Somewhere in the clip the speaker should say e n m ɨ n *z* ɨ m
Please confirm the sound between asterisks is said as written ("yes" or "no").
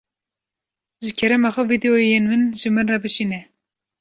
no